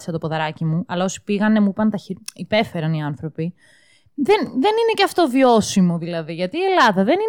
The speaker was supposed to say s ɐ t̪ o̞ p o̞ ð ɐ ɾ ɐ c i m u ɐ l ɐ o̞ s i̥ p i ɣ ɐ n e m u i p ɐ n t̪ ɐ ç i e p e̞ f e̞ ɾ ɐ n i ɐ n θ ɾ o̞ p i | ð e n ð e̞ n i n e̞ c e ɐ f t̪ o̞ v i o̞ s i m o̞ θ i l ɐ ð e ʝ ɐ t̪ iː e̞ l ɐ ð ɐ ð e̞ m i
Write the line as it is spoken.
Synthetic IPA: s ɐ t̪ o̞ p o̞ ð ɐ ɾ ɐ c i m u ɐ l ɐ o̞ s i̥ p i ɣ ɐ n e m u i p ɐ n t̪ ɐ ç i i p e̞ f e̞ ɾ ɐ n i ɐ n θ ɾ o̞ p i | ð e n ð e̞ n i n e̞ c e ɐ f t̪ o̞ v i o̞ s i m o̞ ð i l ɐ ð i ʝ ɐ t̪ iː e̞ l ɐ ð ɐ ð e̞ n i